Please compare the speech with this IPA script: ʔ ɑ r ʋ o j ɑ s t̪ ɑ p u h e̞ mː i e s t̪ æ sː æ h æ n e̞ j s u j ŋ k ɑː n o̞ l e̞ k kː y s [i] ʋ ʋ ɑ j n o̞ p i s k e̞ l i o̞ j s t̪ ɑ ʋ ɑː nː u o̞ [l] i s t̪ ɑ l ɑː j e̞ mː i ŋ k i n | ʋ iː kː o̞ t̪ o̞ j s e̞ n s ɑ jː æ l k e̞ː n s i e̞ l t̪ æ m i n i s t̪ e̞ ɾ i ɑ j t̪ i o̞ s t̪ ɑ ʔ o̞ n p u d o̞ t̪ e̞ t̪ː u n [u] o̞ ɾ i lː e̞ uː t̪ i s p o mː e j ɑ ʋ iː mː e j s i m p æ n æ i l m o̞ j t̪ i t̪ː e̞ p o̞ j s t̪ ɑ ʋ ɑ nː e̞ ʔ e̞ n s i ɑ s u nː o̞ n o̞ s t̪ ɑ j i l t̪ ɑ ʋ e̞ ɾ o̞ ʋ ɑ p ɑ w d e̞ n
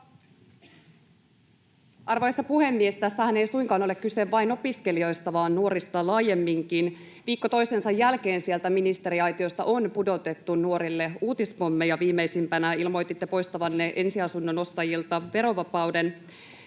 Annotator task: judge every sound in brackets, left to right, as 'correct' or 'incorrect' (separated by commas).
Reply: incorrect, incorrect, correct